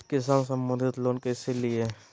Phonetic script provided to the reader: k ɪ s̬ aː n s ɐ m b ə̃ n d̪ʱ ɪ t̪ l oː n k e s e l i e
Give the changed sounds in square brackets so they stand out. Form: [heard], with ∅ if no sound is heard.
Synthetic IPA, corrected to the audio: k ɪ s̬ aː n s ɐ m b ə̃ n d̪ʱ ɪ t̪ l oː n k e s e l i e